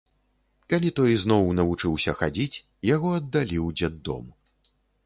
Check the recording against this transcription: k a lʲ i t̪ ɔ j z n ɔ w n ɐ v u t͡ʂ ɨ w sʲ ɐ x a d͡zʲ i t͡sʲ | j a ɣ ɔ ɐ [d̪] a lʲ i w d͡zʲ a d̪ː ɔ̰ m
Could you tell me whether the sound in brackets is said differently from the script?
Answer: yes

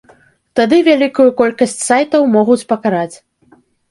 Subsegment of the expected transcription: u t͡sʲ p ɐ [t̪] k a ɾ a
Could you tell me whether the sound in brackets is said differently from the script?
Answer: yes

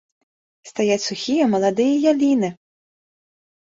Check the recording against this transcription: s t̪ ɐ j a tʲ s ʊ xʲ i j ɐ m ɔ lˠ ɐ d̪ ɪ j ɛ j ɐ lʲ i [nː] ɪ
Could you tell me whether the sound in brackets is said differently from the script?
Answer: yes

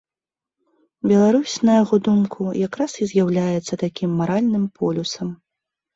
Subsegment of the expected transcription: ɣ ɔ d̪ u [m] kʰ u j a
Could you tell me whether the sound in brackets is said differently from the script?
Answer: no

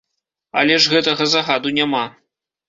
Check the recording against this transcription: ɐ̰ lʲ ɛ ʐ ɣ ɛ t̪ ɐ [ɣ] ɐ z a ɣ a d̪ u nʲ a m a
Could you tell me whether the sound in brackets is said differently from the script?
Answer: no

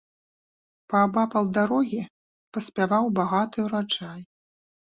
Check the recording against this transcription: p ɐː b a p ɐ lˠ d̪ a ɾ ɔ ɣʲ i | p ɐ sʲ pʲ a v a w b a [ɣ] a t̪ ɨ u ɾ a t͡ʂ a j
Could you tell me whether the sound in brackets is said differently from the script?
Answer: no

